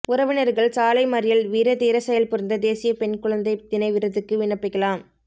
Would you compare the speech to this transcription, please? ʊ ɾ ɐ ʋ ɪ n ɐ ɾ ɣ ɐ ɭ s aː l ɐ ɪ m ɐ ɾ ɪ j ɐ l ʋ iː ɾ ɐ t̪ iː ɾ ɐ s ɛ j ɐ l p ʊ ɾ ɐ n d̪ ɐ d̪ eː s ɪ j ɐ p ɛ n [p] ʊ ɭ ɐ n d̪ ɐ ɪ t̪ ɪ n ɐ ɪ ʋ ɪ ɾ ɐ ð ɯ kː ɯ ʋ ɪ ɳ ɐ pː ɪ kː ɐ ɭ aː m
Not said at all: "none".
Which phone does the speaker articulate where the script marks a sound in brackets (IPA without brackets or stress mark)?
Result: k